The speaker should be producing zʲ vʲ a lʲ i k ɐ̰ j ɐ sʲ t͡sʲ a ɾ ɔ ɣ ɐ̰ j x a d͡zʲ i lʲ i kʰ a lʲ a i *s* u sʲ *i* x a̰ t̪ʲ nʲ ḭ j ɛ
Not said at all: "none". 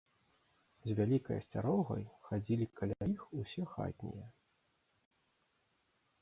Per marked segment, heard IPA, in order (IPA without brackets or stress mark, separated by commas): x, ɛ